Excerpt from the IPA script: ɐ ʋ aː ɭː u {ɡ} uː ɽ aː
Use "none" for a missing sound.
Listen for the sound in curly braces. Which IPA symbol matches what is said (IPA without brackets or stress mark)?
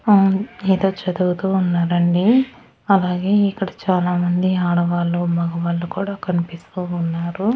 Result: k